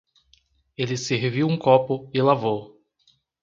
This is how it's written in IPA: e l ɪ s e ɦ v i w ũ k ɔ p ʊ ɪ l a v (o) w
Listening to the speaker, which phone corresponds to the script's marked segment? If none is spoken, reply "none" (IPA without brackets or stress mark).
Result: o